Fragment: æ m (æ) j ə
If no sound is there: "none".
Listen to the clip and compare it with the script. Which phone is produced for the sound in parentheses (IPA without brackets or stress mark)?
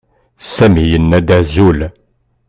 i